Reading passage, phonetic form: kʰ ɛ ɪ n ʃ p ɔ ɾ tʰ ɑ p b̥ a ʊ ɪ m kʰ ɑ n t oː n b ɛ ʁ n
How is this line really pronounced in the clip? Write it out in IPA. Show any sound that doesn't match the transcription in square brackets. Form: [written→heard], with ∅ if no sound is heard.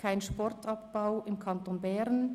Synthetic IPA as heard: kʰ [ɛ→a] ɪ n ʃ p ɔ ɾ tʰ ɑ p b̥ a ʊ ɪ m kʰ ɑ n t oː n b ɛ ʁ n

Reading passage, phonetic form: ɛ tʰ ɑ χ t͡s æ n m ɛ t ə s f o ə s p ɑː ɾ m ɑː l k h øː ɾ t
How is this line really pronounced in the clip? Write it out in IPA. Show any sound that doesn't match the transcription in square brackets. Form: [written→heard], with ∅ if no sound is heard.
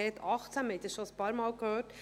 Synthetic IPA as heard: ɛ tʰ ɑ χ t͡s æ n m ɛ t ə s [f→ʃ] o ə s p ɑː ɾ m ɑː l k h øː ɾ t

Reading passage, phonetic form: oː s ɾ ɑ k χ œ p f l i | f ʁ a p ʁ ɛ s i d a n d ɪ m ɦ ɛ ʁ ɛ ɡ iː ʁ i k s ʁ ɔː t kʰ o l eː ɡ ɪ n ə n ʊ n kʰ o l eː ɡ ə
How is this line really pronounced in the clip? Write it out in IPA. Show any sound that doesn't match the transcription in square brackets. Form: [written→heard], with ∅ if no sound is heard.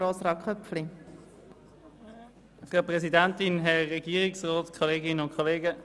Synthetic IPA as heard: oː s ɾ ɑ k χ œ p f l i | f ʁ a p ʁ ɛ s i d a n [d→t] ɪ [m→n] ɦ ɛ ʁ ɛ ɡ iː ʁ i k s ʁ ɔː t kʰ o l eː ɡ ɪ n ə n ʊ n kʰ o l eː ɡ ə

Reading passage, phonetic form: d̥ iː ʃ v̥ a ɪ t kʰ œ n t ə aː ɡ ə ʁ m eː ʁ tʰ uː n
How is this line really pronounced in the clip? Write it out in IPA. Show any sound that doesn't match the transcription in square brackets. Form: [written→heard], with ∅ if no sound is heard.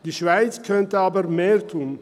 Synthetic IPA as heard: d̥ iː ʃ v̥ a ɪ [t→t͡s] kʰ œ n t ə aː [ɡ→b] ə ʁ m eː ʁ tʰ uː n

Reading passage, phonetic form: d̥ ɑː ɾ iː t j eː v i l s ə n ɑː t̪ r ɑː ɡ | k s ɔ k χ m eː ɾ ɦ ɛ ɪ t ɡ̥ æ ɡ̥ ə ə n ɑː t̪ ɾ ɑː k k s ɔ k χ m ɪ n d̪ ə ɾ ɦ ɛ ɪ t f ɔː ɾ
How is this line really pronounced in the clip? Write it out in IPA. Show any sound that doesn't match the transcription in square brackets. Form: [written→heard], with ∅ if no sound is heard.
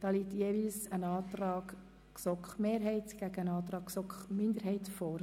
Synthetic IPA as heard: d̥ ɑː [ɾ→l] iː t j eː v i l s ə n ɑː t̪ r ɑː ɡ | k s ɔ k χ m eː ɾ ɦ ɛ ɪ t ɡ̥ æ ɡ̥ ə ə n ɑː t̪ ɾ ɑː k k s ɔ k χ m ɪ n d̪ ə ɾ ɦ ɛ ɪ t f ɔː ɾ

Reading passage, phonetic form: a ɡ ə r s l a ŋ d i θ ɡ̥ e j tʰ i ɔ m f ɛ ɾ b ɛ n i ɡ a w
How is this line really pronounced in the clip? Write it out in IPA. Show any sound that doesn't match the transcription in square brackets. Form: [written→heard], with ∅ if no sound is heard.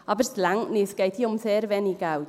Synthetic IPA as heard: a [ɡ→b] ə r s l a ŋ [d→n] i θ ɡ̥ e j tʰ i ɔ m [f→θ] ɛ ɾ [b→v] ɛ n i ɡ a w

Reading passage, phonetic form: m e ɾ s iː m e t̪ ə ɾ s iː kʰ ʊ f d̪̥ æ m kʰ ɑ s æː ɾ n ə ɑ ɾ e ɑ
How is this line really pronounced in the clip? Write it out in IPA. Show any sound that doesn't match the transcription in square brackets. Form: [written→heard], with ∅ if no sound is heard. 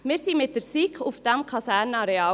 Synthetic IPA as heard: m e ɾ s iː m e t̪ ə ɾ s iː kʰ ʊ f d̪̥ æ m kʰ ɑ s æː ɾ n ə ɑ ɾ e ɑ

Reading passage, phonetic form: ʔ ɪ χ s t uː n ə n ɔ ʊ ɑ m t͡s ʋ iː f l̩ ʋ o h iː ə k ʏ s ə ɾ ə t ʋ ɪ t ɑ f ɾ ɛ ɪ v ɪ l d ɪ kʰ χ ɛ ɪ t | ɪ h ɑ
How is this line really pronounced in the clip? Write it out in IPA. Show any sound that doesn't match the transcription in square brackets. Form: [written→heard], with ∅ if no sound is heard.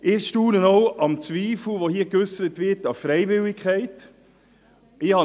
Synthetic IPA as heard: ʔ ɪ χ [s→ʃ] t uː n ə n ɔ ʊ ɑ m t͡s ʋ iː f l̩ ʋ o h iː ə k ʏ s ə ɾ ə t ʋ ɪ t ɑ f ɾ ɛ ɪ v ɪ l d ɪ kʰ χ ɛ ɪ t | ɪ h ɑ

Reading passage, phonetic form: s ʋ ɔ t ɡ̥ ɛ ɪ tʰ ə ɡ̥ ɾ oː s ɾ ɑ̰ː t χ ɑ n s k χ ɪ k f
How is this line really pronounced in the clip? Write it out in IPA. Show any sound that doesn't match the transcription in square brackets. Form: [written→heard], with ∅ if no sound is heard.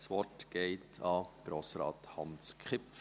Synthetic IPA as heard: s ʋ ɔ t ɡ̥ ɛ ɪ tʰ [ə→ɑ] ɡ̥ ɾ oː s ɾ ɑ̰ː t [χ→h] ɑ n s k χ ɪ [k→p] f

